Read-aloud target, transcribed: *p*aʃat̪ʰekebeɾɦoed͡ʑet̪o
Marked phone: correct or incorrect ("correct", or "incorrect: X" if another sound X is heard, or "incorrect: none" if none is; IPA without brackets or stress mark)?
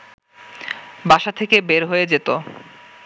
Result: incorrect: b